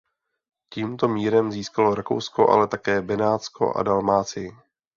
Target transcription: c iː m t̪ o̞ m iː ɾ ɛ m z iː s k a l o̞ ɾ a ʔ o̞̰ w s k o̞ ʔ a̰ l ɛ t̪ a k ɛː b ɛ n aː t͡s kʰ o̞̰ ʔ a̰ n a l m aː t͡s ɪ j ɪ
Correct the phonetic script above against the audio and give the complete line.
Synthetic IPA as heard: c iː m t̪ o̞ m iː ɾ ɛ m z iː s k a l o̞ ɾ a k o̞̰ w s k o̞ ʔ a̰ l ɛ t̪ a k ɛː b ɛ n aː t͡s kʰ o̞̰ ʔ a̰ d a l m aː t͡s ɪ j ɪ